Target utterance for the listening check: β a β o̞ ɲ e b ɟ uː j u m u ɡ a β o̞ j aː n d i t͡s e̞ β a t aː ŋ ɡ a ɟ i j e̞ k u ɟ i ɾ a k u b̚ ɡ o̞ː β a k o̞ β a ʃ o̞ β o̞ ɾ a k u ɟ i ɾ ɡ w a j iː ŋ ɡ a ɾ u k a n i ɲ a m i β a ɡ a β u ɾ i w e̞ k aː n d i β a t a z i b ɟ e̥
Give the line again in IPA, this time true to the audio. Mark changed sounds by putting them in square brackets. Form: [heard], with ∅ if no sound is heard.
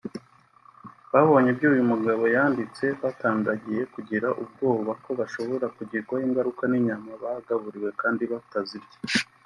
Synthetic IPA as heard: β a β o̞ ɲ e b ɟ uː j u m u ɡ a β o̞ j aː n d i t͡s e̞ β a t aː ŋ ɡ a ɟ i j e̞ k u ɟ i ɾ a [ʔ] u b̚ ɡ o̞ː β a k o̞ β a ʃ o̞ β o̞ ɾ a k u ɟ i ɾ ɡ w a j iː ŋ ɡ a ɾ u k a n i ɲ a m [a] β a ɡ a β u ɾ i w e̞ k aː n d i β a t a z i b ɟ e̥